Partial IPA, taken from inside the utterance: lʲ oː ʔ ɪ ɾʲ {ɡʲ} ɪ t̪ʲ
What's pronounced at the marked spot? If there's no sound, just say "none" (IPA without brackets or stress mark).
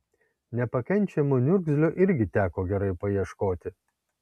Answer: ɡʲ